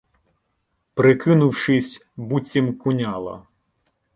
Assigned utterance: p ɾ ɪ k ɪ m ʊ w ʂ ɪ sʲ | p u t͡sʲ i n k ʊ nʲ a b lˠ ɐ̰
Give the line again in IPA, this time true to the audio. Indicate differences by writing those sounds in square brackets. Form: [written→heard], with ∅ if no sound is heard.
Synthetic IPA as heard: p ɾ ɪ k ɪ [m→n] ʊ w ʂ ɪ sʲ | [p→b] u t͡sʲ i [n→m] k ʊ nʲ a [b→∅] lˠ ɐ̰